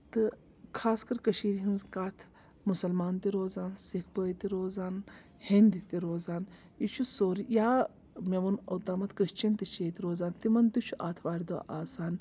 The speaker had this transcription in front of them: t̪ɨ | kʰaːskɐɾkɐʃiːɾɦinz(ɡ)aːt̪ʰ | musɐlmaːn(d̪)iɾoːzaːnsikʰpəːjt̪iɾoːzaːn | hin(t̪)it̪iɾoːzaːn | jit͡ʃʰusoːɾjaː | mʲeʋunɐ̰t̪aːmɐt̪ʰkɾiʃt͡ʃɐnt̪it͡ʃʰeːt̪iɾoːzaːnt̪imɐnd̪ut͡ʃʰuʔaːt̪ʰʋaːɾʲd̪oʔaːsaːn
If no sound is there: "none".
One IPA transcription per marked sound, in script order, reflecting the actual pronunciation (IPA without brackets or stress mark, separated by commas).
k, t̪, d̪